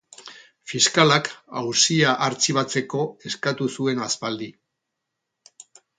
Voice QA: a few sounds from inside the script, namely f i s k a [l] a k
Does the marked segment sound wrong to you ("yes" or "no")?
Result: no